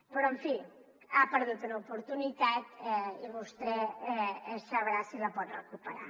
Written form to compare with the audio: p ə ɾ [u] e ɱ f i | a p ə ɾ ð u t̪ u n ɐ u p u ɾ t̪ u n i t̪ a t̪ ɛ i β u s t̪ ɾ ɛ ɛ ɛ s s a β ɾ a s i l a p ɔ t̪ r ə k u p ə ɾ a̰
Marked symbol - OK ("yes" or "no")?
no